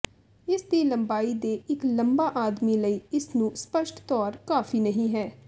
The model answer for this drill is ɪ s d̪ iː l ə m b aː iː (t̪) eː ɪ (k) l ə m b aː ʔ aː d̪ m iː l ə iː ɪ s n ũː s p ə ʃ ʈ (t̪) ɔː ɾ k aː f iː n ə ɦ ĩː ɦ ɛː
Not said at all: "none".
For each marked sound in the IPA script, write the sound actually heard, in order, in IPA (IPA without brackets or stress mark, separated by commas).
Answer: d̪, k, t̪